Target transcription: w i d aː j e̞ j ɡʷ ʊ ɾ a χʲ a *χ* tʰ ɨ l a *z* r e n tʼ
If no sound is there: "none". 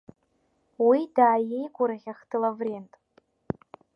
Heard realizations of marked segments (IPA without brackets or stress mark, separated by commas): χ, v